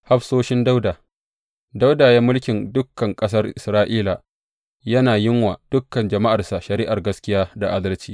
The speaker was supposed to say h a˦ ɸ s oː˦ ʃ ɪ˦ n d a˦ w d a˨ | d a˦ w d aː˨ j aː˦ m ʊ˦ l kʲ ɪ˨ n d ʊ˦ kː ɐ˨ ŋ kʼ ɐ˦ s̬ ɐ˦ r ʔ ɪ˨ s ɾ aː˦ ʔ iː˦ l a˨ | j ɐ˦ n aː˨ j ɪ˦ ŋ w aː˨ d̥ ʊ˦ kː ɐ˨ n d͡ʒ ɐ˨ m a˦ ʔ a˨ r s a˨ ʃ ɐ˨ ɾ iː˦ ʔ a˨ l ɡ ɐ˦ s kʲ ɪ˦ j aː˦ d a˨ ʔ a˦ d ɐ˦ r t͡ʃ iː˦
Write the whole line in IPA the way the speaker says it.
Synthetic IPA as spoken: h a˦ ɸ s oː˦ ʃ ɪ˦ n d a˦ w d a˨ | d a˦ w d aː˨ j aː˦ m ʊ˦ l kʲ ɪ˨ n d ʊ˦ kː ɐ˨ ŋ kʼ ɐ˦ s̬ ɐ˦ r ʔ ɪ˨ s ɾ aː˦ ʔ iː˦ l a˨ | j ɐ˦ n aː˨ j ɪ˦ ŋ w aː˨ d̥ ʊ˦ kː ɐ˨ n d͡ʒ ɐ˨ m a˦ ʔ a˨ r s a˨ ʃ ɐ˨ ɾ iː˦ ʔ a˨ r ɡ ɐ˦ s kʲ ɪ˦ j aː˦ d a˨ ʔ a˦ d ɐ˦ l t͡ʃ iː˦